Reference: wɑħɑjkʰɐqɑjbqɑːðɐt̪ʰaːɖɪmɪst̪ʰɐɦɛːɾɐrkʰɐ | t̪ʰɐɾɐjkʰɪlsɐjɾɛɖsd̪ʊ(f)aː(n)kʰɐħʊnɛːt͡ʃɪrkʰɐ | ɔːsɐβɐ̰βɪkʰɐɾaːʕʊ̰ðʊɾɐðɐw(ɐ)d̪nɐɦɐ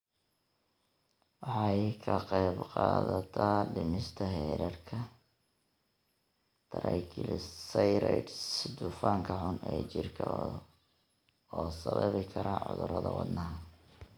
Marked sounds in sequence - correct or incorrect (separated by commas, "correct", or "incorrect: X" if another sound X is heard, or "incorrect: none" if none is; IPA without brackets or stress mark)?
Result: correct, incorrect: ŋ, incorrect: ɑ